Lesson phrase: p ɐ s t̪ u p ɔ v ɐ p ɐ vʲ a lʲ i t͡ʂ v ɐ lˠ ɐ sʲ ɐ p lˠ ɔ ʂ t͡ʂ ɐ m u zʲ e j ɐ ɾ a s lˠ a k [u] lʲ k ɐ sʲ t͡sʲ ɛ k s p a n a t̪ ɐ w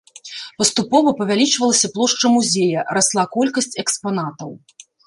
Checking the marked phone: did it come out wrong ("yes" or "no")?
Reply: yes